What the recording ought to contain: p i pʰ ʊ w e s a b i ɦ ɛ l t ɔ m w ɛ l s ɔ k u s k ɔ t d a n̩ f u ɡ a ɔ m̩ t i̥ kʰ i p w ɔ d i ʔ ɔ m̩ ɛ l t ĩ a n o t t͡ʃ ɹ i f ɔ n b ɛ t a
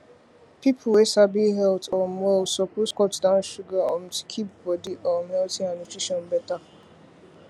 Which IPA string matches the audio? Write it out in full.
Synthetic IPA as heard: p i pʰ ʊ w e s a b i ɦ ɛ l t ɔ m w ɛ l s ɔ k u s k ɔ t d a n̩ ʃ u ɡ a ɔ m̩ t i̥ kʰ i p b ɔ d i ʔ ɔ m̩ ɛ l t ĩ a n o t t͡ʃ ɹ i ʃ ɔ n b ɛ t a